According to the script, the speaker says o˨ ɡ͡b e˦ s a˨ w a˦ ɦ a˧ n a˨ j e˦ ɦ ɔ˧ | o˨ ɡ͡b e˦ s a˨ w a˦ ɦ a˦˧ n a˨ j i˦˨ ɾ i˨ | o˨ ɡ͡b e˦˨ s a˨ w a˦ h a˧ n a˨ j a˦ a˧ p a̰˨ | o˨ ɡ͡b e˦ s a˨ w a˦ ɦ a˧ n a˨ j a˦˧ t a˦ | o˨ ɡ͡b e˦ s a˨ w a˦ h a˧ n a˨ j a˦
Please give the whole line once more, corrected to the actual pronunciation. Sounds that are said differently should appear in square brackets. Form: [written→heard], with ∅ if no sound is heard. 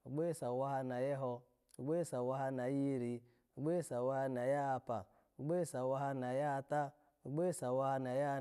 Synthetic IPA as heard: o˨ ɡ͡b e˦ s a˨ w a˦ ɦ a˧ n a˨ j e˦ ɦ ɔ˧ | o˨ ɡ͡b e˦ s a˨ w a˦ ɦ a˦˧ n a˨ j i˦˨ ɾ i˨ | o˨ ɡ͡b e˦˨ s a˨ w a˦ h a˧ n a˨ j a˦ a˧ p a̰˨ | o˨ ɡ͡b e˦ s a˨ w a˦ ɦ a˧ n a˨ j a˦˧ t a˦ | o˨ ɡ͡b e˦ s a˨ w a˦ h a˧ n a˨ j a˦